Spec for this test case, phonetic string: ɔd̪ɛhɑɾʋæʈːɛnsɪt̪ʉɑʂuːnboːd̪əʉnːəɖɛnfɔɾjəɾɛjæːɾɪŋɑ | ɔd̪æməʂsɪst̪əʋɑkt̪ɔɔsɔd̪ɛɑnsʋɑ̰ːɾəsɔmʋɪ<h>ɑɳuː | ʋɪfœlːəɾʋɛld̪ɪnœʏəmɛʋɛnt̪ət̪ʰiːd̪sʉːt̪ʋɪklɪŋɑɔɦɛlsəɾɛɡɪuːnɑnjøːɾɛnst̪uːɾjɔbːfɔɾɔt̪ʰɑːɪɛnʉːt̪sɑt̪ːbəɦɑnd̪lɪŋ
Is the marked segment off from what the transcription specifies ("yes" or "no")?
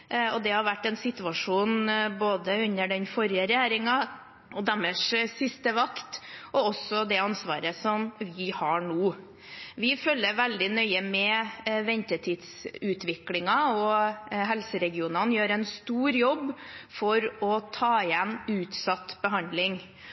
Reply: no